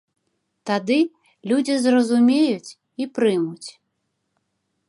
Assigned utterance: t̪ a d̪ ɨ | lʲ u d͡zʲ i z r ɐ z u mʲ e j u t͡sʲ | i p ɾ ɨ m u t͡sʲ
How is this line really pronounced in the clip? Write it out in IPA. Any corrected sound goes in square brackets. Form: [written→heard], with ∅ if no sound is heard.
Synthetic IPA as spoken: t̪ a d̪ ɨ | lʲ u d͡zʲ i z r ɐ z u mʲ e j u t͡sʲ | i p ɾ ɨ m u t͡sʲ